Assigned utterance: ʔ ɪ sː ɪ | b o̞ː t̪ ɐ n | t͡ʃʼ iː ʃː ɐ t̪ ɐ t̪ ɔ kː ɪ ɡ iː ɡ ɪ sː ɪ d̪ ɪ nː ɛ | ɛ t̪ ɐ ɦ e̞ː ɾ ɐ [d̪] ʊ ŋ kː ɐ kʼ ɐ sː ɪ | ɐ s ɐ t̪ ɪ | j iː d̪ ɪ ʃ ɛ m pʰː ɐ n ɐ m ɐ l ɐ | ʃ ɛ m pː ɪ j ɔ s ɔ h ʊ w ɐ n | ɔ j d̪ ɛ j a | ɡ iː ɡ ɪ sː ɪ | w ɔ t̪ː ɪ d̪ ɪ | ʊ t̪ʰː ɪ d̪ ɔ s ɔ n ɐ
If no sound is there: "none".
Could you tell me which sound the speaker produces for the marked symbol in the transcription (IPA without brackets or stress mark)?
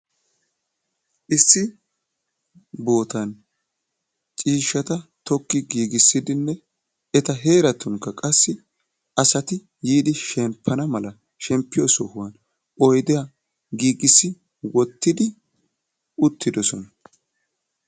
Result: t̪